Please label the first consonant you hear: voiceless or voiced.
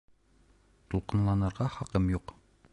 voiceless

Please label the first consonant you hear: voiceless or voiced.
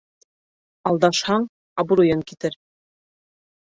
voiced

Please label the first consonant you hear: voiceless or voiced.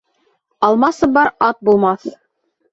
voiced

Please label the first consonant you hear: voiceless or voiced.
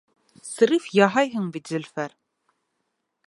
voiceless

